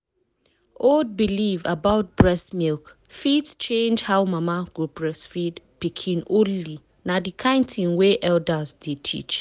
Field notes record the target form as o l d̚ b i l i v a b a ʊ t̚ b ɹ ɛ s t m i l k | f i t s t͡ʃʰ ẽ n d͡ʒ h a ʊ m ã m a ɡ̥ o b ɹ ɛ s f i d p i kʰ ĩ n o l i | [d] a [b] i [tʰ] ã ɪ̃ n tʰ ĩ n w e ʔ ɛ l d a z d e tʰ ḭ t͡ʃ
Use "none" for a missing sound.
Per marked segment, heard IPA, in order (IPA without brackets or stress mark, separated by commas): n, d, kʰ